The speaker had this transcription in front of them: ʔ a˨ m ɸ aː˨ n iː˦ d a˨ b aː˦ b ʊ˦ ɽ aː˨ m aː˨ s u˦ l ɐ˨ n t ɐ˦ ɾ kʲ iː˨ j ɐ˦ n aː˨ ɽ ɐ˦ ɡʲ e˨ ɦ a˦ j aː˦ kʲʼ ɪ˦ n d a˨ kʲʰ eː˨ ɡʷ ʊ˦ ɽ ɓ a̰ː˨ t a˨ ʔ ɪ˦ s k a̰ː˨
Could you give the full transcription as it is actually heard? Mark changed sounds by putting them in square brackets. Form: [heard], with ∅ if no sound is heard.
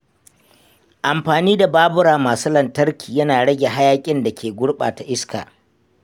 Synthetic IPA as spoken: ʔ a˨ m ɸ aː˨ n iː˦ d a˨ b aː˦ b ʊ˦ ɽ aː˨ m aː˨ s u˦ l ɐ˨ n t ɐ˦ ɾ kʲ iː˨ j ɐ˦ n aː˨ ɽ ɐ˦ ɡʲ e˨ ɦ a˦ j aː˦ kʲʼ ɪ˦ n d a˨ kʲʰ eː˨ ɡʷ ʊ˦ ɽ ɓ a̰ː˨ t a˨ ʔ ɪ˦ s k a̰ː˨

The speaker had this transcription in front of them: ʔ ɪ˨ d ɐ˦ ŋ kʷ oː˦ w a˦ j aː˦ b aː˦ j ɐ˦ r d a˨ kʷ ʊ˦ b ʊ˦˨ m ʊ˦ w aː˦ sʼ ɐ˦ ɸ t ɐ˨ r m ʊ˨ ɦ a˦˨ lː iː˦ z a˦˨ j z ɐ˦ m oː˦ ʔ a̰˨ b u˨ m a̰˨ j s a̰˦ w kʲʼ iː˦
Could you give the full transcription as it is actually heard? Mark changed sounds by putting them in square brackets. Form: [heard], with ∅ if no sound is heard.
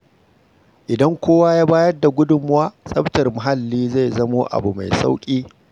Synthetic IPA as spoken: ʔ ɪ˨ d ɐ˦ ŋ kʷ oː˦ w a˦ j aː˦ b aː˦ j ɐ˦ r d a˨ [ɡʷ] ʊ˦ [d] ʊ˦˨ m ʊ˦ w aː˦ sʼ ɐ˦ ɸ t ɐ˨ r m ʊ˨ ɦ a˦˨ lː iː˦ z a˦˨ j z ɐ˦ m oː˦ ʔ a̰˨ b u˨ m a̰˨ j s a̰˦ w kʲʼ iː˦

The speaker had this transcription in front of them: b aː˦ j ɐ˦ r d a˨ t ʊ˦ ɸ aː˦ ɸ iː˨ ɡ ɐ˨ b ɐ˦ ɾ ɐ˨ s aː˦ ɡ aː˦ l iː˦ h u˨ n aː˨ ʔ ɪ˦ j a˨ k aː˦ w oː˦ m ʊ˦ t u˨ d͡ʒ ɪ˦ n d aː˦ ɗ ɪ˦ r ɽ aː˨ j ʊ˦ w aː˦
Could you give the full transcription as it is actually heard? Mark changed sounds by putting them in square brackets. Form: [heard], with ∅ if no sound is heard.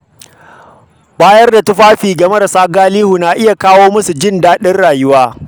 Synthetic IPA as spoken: b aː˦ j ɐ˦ r d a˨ t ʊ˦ ɸ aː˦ ɸ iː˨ ɡ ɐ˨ [m] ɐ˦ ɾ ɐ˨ s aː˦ ɡ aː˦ l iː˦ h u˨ n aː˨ ʔ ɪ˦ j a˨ k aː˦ w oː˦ m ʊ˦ [s] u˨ d͡ʒ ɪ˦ n d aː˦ ɗ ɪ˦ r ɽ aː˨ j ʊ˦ w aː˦

